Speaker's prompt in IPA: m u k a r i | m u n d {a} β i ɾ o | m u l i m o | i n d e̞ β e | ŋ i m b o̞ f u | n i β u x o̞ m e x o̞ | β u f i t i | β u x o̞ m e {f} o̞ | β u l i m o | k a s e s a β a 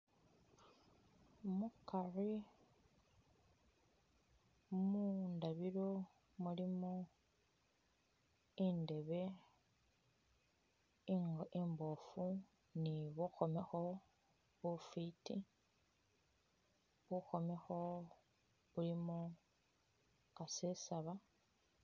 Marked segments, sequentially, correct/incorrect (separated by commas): correct, incorrect